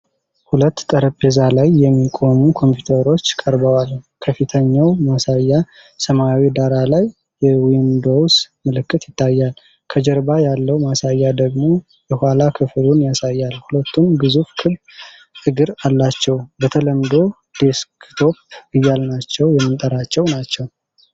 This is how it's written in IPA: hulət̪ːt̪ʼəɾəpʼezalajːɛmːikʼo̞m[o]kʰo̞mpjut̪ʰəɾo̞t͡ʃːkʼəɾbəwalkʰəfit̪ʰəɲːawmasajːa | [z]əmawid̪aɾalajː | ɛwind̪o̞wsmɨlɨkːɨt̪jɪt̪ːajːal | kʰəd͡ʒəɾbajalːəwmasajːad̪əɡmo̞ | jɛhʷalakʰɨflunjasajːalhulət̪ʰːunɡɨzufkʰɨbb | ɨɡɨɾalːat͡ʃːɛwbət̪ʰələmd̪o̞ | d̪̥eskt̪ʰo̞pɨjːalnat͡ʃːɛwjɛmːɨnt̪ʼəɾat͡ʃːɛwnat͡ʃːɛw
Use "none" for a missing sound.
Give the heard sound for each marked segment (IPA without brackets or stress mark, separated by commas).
u, s